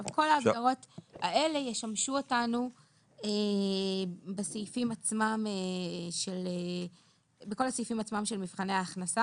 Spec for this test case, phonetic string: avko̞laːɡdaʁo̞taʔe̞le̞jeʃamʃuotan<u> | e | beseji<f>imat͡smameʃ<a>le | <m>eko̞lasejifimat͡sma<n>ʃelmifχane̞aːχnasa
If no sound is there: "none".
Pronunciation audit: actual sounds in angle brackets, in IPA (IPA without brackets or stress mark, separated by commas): u, f, e, b, m